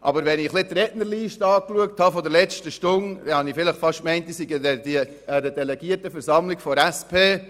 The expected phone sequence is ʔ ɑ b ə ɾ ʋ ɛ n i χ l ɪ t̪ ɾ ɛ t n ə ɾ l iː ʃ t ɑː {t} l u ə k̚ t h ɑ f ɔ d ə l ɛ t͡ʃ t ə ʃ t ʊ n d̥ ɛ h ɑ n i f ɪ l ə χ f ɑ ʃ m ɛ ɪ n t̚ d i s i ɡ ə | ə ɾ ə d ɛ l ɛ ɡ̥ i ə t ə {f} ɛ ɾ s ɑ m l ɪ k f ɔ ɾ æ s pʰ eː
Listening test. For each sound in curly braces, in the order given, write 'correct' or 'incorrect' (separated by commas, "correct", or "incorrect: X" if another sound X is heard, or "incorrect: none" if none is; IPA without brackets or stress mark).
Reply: incorrect: k, correct